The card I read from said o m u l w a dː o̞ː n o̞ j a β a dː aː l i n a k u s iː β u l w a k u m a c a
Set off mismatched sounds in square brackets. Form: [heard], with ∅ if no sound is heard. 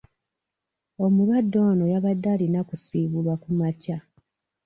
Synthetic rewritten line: o m u l w a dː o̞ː n o̞ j a β a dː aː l i n a k u s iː β u l w a k u m a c a